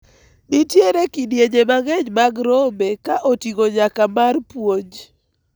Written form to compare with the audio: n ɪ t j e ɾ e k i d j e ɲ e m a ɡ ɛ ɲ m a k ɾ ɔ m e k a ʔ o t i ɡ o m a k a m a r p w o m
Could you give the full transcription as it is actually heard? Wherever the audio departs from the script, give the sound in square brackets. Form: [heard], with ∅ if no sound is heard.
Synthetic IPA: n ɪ t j e ɾ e k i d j e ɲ e m a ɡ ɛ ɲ m a [ɡ] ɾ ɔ m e k a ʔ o t i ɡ o [ɲ] a k a m a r p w o [ɲ]